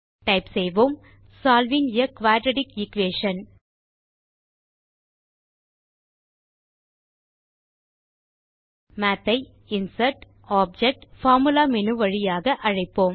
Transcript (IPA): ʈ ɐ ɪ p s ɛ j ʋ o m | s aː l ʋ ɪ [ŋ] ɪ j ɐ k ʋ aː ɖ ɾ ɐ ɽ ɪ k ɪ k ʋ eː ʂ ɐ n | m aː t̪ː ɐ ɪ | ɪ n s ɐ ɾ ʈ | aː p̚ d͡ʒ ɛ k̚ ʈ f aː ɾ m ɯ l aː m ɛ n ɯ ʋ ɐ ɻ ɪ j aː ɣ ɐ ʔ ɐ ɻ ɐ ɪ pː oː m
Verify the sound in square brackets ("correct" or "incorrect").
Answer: correct